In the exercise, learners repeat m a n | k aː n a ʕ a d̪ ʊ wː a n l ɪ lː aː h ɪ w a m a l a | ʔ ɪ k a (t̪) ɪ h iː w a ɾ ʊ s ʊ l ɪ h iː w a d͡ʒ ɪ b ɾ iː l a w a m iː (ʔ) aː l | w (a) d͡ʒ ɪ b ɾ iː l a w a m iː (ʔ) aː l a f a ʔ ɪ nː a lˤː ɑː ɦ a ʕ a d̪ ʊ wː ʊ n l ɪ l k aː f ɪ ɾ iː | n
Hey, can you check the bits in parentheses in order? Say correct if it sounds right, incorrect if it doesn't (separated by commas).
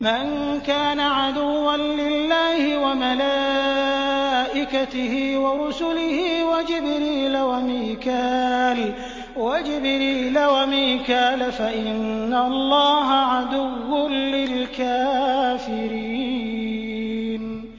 correct, incorrect, correct, incorrect